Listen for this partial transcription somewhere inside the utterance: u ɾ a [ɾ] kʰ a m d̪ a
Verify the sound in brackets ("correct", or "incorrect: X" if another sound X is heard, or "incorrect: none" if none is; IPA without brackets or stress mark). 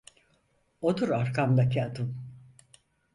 correct